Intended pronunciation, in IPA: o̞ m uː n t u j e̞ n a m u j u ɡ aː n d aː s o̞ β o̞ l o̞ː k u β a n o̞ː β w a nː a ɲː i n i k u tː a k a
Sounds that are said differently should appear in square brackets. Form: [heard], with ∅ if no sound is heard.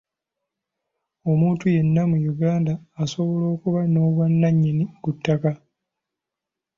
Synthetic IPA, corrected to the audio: o̞ m uː n t u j e̞ [nː] a m u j u ɡ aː n d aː s o̞ β o̞ l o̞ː k u β a n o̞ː β w a nː a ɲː i n i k u tː a k a